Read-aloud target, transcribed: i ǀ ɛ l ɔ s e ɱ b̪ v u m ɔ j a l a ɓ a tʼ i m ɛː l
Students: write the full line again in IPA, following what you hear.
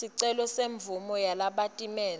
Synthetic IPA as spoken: i ǀ ɛ l ɔ s e ɱ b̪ v u m ɔ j a l a ɓ a tʼ i m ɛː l